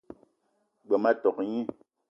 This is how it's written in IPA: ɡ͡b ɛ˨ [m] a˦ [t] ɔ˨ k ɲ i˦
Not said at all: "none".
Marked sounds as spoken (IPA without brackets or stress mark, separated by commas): m, t